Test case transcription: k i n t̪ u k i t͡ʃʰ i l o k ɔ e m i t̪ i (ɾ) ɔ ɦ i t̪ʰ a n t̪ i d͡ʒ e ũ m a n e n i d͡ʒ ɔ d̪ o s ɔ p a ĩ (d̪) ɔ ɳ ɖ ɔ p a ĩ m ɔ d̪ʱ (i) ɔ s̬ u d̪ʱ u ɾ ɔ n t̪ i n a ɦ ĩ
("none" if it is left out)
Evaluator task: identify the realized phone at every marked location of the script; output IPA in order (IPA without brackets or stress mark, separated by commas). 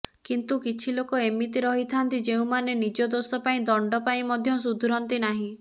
ɾ, d̪, j